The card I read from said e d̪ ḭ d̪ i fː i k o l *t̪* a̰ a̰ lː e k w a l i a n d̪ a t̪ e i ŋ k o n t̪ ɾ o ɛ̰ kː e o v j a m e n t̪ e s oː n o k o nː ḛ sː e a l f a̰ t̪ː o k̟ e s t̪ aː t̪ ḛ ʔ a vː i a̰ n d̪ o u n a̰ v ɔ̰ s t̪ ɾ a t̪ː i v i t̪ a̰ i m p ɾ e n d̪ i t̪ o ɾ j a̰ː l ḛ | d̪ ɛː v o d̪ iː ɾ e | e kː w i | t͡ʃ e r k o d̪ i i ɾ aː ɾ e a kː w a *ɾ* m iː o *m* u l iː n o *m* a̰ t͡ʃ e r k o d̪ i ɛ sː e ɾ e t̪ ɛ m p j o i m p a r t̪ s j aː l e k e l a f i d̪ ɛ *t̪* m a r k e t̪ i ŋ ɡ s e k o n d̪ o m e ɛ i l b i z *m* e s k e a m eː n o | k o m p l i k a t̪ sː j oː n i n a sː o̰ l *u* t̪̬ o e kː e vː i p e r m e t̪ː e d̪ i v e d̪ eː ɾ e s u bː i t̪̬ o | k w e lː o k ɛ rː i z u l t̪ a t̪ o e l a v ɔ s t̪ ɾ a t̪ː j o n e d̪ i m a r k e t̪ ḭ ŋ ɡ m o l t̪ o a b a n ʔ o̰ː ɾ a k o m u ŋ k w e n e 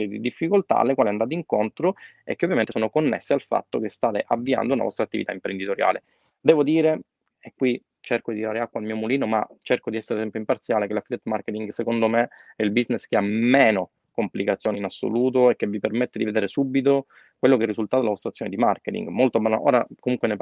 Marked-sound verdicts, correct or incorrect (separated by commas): correct, incorrect, correct, correct, correct, incorrect, incorrect